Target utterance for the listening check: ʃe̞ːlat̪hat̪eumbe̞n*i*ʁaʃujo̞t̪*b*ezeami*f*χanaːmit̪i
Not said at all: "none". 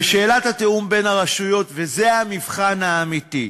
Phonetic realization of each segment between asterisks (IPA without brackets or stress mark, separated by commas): a, v, v